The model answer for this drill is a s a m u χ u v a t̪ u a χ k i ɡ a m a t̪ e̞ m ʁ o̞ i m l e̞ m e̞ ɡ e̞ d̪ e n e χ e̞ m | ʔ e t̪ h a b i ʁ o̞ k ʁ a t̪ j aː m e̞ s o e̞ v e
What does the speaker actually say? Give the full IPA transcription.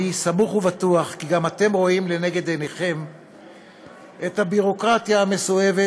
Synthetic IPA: i s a m u χ u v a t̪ u a χ k i ɡ a m a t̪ e̞ m ʁ o̞ i m l e̞ n e̞ ɡ e̞ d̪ e n e χ e̞ m | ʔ e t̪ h a b i ʁ o̞ k ʁ a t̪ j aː m e̞ s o e̞ v e